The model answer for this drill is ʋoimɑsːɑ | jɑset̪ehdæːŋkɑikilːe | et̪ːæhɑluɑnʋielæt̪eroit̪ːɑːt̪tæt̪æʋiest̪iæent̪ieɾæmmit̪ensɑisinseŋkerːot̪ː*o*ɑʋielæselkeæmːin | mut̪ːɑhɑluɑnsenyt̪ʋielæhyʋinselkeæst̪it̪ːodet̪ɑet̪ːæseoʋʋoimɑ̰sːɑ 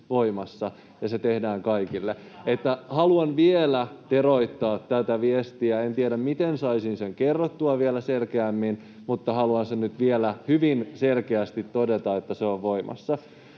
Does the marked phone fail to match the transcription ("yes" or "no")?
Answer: yes